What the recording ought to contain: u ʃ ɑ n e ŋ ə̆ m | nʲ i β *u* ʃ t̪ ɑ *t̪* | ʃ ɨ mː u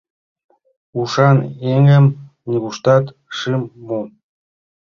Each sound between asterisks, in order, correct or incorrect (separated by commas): correct, correct